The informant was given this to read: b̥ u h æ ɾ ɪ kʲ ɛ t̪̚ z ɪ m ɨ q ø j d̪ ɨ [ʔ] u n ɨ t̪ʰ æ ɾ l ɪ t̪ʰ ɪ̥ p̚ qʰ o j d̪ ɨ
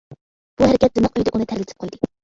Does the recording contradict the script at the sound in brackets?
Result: no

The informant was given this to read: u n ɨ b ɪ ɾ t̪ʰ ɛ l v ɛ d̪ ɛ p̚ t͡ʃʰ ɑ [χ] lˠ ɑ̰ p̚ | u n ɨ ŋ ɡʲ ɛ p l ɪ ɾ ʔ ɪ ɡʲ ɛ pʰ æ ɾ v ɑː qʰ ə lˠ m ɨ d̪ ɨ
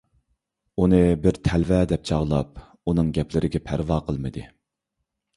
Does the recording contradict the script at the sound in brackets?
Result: yes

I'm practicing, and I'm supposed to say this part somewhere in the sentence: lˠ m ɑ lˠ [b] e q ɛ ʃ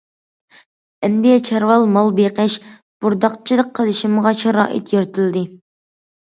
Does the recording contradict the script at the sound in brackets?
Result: no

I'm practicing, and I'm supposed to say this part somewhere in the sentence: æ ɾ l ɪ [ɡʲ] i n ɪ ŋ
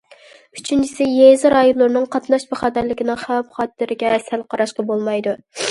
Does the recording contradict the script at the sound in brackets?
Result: yes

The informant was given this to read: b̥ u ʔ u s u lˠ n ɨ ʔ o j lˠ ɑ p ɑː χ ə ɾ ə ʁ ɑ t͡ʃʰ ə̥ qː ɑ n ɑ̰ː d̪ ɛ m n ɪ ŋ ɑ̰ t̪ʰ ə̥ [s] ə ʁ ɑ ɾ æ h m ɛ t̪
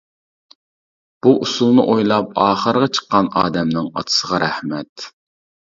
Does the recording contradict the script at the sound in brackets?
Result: no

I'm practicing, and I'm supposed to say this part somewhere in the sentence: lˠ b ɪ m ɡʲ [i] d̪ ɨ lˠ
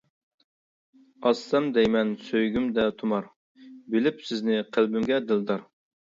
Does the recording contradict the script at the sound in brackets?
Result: yes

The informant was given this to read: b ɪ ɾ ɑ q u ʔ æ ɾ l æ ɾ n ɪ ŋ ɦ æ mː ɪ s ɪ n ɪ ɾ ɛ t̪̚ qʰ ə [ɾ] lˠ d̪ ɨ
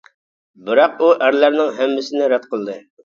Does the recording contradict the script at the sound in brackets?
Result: yes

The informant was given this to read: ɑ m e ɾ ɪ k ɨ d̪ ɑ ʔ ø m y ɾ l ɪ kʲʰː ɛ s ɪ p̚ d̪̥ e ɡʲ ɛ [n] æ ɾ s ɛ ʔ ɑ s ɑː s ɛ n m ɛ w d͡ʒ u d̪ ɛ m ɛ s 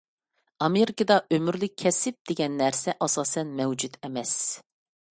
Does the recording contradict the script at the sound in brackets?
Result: yes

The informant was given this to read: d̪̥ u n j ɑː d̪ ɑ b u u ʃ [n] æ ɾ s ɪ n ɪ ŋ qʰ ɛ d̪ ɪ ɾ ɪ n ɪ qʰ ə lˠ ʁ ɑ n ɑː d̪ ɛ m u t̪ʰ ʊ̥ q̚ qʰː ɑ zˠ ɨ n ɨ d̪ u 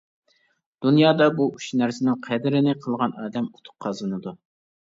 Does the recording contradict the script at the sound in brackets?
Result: no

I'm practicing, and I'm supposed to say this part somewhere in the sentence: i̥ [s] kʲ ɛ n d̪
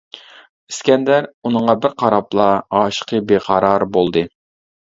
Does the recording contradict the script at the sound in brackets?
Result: no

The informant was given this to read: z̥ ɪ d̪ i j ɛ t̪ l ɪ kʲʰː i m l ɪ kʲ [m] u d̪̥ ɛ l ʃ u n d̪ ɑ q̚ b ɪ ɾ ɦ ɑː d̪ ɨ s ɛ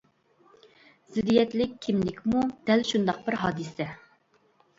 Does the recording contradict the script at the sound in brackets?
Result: no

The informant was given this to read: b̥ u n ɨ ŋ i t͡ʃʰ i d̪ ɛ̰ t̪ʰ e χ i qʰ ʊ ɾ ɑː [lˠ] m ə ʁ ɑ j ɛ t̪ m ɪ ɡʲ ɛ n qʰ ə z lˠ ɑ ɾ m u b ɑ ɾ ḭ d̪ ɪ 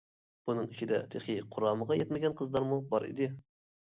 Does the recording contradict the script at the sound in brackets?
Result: yes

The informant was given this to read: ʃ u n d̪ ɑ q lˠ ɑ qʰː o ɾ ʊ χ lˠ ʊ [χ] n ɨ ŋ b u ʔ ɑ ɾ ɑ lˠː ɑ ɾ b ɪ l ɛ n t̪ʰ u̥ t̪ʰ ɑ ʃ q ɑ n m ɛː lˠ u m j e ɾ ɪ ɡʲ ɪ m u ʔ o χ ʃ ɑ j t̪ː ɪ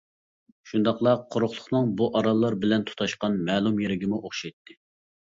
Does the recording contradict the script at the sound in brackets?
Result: no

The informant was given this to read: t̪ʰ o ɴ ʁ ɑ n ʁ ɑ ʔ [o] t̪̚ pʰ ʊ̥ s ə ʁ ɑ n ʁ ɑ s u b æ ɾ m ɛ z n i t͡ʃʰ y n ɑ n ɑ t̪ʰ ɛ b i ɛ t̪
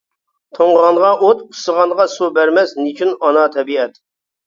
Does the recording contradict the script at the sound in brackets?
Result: no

